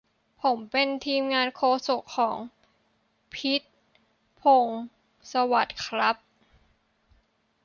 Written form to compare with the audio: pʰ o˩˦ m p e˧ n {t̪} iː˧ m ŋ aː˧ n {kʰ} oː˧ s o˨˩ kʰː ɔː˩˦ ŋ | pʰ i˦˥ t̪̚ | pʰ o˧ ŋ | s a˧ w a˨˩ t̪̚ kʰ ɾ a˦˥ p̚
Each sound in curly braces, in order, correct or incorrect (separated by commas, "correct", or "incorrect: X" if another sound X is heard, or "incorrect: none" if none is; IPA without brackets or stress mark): incorrect: t̪ʰ, correct